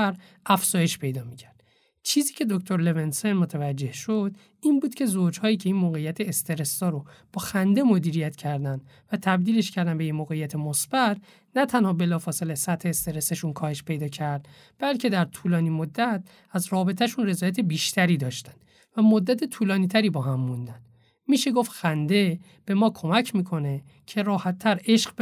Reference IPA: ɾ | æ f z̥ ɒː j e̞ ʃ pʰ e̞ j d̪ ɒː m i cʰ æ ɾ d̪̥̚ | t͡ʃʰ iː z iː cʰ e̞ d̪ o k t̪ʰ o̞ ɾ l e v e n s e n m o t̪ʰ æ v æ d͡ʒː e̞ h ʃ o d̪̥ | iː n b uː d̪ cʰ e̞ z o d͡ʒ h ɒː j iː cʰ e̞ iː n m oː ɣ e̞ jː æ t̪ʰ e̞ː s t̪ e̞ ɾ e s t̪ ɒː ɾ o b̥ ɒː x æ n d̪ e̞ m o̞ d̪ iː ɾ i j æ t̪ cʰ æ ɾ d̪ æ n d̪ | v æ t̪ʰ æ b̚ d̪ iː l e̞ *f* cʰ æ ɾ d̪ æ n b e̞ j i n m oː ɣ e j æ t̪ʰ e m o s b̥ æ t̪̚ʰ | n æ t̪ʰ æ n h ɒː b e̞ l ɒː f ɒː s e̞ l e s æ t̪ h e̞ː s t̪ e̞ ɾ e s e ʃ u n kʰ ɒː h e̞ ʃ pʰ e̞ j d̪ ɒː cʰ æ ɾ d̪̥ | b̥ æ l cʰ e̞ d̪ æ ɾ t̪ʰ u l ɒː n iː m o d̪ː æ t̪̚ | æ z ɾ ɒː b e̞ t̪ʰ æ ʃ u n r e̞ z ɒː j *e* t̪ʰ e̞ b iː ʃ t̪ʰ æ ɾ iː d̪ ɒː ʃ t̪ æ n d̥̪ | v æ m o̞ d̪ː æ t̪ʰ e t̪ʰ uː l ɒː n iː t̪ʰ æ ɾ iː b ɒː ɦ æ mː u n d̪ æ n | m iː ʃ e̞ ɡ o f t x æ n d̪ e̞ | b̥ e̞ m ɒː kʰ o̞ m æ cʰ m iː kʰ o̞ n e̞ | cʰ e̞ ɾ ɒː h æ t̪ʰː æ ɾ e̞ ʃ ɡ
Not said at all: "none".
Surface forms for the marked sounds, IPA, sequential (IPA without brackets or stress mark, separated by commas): ʃ, æ